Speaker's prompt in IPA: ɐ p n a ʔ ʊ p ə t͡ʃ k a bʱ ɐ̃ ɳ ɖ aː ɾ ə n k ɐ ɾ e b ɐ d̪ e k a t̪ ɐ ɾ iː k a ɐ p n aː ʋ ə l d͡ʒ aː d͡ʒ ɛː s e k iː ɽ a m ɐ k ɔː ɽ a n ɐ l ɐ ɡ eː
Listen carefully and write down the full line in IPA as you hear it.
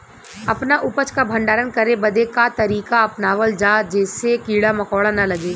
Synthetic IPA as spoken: ɐ p n a ʔ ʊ p ə t͡ʃ k a bʱ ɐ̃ ɳ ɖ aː ɾ ə n k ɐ ɾ e b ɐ d̪ e k a t̪ ɐ ɾ iː k a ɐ p n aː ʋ ə l d͡ʒ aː d͡ʒ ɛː s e k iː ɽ a m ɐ k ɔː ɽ a n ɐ l ɐ ɡ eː